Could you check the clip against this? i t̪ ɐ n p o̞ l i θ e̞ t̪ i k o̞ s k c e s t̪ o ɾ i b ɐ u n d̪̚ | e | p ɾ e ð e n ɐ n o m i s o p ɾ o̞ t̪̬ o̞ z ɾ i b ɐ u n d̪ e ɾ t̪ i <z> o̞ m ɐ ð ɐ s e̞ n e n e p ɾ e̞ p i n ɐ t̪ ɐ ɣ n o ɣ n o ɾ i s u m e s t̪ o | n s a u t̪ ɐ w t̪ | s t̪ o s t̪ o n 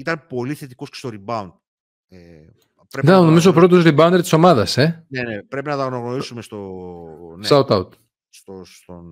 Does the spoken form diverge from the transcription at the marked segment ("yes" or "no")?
yes